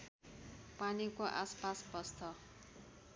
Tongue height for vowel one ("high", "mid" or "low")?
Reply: low